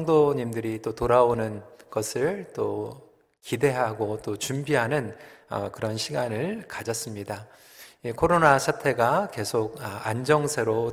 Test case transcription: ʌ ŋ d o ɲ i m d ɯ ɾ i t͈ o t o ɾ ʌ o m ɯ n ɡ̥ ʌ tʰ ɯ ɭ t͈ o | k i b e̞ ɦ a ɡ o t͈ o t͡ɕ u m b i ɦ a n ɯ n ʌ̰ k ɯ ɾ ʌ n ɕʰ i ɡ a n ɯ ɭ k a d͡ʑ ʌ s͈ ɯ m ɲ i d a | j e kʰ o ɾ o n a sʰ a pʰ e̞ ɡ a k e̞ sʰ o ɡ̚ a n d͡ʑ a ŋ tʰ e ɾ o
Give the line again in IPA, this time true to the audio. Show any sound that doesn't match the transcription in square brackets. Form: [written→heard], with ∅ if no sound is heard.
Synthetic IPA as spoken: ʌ ŋ d o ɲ i m d ɯ ɾ i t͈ o t o ɾ [ʌ→a] o [m→n] ɯ n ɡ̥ ʌ [tʰ→sʰ] ɯ ɭ t͈ o | k i [b→d] e̞ ɦ a ɡ o t͈ o t͡ɕ u m b i ɦ a n ɯ n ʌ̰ k ɯ ɾ ʌ n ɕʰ i ɡ a n ɯ ɭ k a d͡ʑ ʌ s͈ ɯ m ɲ i d a | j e kʰ o ɾ o n a sʰ a [pʰ→tʰ] e̞ ɡ a k e̞ sʰ o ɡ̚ a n d͡ʑ [a→ʌ] ŋ [tʰ→sʰ] e ɾ o